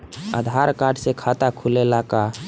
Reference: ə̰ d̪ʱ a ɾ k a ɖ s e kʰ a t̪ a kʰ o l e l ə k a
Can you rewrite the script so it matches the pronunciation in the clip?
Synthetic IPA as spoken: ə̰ d̪ʱ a ɾ k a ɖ s e kʰ a t̪ a kʰ u l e l a k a